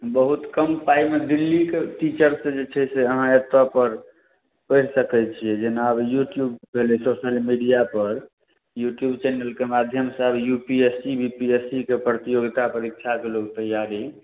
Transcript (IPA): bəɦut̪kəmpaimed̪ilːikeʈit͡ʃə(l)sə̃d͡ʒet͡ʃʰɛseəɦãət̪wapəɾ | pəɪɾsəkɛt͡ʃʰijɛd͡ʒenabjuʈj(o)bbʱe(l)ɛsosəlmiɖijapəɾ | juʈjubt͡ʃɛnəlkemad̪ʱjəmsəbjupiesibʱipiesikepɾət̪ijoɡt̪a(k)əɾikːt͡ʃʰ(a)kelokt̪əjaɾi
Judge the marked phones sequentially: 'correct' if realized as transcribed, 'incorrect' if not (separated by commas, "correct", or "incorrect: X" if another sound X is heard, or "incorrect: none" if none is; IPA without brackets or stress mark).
incorrect: ɾ, incorrect: u, correct, incorrect: p, correct